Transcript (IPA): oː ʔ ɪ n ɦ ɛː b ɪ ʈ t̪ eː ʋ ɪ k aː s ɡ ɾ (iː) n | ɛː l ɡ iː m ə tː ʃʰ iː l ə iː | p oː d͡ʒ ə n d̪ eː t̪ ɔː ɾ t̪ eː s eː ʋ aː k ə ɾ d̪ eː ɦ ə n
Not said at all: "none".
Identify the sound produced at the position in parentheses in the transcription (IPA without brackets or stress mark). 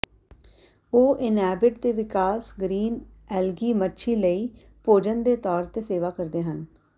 iː